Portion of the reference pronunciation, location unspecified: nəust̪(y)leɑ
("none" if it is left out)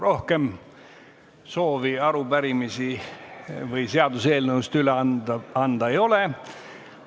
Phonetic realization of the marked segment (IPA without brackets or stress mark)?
y